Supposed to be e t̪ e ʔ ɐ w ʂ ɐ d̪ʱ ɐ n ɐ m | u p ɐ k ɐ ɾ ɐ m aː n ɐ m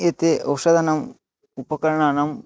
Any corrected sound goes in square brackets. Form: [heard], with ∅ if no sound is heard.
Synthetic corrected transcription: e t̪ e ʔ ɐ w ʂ ɐ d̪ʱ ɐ n ɐ m | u p ɐ k ɐ ɾ ɐ [ɳ] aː n ɐ m